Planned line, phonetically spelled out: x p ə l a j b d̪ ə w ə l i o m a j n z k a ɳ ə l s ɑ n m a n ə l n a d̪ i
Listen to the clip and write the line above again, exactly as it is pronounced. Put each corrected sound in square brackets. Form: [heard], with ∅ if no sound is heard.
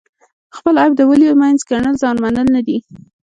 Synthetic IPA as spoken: x p ə l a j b d̪ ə w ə l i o m a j n z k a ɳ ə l [z] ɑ n m a n ə l n a d̪ i